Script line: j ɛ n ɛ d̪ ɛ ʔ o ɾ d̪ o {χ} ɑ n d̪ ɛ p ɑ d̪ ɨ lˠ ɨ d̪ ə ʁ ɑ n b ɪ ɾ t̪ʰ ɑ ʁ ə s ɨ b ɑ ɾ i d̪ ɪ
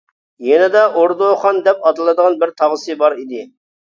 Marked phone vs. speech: correct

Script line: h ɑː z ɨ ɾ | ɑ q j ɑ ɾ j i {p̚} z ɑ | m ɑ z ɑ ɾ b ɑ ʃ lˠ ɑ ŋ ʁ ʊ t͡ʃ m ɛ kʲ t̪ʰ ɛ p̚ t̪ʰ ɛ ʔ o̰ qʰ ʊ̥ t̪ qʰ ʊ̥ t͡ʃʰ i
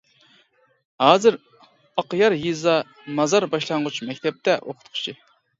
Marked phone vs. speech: incorrect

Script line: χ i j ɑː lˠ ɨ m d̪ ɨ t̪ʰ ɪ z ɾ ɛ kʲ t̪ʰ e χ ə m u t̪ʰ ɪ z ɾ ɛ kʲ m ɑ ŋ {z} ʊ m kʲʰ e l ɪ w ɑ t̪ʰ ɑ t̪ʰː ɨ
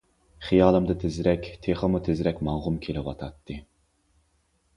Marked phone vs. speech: incorrect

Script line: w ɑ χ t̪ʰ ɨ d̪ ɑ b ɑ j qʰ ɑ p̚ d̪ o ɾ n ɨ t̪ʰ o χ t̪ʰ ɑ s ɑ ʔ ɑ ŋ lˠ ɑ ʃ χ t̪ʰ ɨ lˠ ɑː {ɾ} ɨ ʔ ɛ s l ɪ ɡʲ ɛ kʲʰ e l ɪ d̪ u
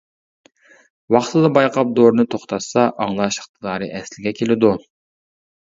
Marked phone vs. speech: correct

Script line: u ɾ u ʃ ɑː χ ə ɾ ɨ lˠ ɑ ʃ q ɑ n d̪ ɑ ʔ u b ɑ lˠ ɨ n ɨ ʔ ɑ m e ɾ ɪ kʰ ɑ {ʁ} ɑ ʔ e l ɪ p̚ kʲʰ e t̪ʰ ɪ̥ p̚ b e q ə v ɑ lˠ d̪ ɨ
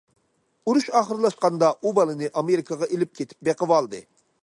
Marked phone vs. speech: correct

